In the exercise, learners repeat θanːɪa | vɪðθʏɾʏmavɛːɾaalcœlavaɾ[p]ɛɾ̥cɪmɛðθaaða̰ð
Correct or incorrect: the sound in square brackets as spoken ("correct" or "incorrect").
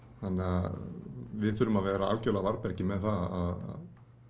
correct